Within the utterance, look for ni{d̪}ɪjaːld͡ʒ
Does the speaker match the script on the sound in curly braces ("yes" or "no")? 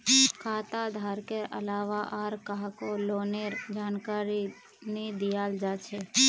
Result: yes